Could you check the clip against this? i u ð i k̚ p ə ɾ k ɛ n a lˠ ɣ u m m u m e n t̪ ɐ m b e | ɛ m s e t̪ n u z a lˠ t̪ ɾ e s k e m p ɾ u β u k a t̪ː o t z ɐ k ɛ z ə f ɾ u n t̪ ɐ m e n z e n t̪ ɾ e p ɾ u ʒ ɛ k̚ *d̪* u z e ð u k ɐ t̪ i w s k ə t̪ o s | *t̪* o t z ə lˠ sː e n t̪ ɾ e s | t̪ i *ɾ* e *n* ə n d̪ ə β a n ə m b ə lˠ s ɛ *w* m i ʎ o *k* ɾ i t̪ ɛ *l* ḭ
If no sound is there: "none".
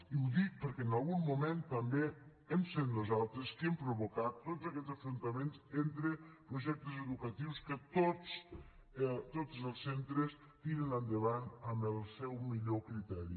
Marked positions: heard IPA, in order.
t̪, t̪, ɾ, n, w, k, ɾ

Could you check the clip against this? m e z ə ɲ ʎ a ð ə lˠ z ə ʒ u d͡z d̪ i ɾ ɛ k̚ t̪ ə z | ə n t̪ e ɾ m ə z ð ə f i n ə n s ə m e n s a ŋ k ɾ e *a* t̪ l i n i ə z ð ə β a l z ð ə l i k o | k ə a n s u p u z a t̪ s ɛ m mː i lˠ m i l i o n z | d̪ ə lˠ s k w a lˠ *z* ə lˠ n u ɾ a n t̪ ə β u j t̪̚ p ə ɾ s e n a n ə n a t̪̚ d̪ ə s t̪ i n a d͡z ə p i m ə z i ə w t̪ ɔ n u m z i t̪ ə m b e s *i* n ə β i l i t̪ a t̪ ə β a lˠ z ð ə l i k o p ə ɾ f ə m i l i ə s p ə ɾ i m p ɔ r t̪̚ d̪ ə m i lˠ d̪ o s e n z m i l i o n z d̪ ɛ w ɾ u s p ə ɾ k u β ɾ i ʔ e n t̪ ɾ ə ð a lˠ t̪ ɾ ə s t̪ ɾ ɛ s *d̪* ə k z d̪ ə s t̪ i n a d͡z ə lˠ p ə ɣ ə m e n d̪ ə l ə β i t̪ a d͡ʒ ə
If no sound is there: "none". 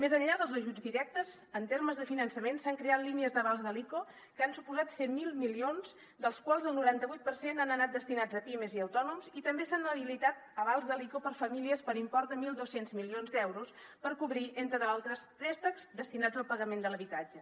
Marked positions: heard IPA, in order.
a, z, a, t̪

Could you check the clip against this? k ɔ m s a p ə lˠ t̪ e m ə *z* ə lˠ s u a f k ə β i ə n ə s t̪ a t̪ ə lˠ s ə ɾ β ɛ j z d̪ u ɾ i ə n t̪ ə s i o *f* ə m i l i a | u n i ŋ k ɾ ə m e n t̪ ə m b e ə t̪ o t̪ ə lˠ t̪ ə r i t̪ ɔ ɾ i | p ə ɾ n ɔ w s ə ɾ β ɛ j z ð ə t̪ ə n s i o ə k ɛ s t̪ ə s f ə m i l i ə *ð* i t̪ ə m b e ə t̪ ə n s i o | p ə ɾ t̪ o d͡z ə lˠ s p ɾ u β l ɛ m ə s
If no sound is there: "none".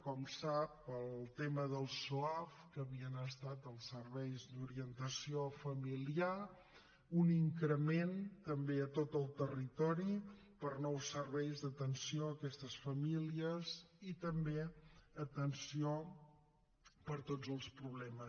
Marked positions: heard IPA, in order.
ð, f, z

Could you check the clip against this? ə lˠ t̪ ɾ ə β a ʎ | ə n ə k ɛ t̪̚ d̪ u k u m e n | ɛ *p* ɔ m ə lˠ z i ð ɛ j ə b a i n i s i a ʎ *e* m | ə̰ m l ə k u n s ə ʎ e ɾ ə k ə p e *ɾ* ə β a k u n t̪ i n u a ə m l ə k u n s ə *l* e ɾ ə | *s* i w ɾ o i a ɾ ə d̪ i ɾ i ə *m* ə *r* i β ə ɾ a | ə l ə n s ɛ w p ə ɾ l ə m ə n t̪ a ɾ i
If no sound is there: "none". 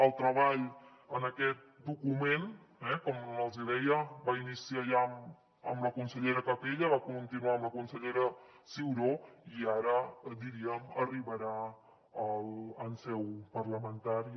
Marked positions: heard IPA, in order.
k, a, ʎ, ʎ, s, m, r

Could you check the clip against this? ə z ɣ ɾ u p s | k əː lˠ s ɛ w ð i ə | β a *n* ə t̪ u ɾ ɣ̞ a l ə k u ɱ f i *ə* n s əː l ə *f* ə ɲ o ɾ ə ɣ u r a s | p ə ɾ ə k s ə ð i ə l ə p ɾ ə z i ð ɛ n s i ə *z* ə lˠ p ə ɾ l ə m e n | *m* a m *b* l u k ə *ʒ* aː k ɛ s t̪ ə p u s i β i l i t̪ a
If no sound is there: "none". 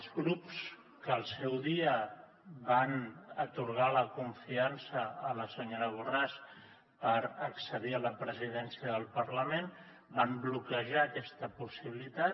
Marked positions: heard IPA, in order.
n, a, s, ð, b, b, ʒ

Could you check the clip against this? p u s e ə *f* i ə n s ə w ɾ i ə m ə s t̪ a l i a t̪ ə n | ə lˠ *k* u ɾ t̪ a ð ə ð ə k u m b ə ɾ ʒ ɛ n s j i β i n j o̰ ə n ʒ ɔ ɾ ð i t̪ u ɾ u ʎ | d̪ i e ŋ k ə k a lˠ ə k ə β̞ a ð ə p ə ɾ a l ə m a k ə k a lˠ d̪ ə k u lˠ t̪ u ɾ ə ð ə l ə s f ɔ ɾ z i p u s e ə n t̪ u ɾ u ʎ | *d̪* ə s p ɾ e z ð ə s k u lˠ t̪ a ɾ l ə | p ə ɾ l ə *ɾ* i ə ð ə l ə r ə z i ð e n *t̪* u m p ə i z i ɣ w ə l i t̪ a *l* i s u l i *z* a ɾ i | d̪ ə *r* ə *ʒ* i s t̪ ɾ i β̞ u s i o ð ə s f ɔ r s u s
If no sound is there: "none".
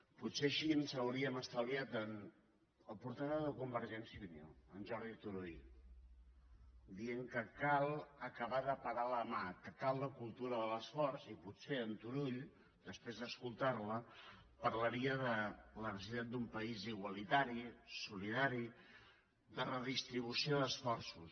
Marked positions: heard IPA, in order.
ʃ, p, d̪, ɾ, d̪, ɾ, ð, r, ð

